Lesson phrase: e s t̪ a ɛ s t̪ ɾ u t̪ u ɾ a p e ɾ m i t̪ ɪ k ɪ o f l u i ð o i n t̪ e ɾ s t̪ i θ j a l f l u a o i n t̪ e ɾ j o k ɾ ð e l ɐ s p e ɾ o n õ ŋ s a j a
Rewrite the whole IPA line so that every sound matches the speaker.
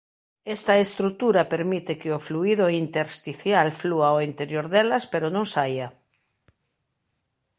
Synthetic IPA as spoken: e s t̪ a e s t̪ ɾ u t̪ u ɾ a p e ɾ m i t̪ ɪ k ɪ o f l u i ð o i n t̪ e ɾ s t̪ i θ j a l f l u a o i n t̪ e ɾ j o ɾ ð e l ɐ s p e ɾ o n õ ŋ s a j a

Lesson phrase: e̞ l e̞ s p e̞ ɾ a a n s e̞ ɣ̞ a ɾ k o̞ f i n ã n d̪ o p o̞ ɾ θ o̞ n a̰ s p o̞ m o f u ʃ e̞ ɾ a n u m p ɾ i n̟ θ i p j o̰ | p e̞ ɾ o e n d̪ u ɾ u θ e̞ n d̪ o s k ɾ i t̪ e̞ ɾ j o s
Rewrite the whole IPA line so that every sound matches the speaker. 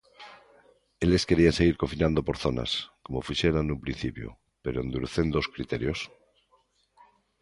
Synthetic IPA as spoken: e̞ l e̞ s k e̞ ɾ i a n s e̞ ɣ̞ i ɾ k o̞ f i n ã n d̪ o p o̞ ɾ θ o̞ n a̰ s k o̞ m o f u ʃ e̞ ɾ a n u m p ɾ i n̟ θ i p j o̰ | p e̞ ɾ o e n d̪ u ɾ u θ e̞ n d̪ o s k ɾ i t̪ e̞ ɾ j o s

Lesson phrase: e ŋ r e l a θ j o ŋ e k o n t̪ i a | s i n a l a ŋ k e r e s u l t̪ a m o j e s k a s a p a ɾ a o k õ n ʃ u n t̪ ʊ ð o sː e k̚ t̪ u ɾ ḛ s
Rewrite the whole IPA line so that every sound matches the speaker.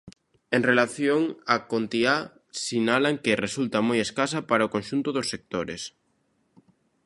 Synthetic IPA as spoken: e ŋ r e l a θ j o ŋ a k o n t̪ i a | s i n a l a ŋ k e r e s u l t̪ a m o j e s k a s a p a ɾ a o k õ n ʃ u n t̪ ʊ ð o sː e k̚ t̪ o ɾ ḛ s

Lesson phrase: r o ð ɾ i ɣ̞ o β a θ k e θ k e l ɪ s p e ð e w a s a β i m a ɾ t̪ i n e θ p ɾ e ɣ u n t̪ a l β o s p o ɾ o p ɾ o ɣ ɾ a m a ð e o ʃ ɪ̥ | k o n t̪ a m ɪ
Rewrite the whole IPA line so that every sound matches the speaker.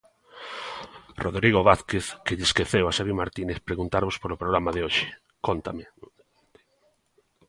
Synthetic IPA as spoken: r o ð ɾ i ɣ̞ o β a θ k e θ k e ʎ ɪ s k e θ e w a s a β i m a ɾ t̪ i n e θ p ɾ e ɣ u n t̪ a ɾ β o s p o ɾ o p ɾ o ɣ ɾ a m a ð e o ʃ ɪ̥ | k o n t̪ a m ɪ

